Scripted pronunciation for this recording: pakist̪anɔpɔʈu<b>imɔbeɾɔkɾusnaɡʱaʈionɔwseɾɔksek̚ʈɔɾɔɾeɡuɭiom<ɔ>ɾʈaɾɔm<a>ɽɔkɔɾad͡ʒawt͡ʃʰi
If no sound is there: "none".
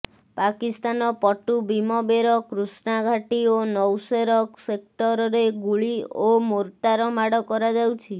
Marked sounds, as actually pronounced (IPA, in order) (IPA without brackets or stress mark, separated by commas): b, o, a